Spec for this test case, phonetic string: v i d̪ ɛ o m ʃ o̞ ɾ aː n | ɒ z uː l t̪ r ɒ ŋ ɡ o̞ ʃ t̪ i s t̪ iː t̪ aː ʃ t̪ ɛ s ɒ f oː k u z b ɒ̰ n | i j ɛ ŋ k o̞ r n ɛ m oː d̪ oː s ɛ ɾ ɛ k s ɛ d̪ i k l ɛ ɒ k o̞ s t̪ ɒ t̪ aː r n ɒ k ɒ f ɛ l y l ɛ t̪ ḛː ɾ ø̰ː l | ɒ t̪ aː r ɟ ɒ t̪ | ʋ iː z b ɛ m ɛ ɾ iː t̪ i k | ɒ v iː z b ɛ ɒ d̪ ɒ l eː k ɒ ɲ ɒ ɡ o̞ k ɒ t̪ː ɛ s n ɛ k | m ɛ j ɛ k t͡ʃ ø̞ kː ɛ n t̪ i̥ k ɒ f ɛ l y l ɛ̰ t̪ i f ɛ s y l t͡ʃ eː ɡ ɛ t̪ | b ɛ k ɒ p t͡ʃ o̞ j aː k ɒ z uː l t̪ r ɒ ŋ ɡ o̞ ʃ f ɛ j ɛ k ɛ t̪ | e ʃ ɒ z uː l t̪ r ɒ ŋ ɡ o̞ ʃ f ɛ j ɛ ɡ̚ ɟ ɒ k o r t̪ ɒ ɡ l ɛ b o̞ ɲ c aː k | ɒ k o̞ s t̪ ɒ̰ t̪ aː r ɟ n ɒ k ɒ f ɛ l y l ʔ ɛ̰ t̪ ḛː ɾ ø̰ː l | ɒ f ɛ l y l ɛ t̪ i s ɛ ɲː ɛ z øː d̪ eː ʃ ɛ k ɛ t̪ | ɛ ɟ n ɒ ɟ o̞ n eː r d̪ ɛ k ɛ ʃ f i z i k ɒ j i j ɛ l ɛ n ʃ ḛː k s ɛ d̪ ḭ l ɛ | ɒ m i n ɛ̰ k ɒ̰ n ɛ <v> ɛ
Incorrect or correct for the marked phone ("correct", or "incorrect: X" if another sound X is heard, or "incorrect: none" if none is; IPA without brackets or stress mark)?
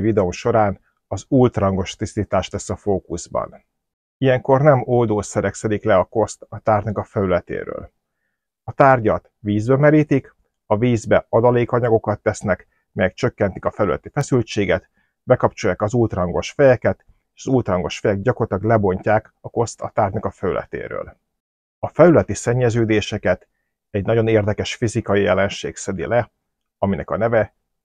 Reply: correct